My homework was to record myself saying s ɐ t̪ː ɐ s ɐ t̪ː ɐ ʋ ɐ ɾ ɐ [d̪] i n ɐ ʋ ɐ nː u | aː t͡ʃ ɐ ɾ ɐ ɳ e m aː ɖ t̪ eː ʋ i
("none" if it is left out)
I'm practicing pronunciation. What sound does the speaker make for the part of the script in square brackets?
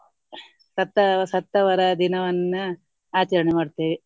d̪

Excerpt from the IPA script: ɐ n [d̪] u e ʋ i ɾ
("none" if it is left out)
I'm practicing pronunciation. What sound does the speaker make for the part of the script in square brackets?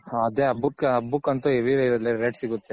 t̪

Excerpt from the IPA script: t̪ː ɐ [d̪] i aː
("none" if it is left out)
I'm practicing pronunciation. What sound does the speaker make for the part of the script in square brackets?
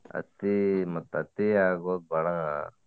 t̪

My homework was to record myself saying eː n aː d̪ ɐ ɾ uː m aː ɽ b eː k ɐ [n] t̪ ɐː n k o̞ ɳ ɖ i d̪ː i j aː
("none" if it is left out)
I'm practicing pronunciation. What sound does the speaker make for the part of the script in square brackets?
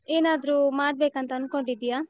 n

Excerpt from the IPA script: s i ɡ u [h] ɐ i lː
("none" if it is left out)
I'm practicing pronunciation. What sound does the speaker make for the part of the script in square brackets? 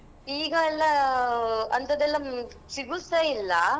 s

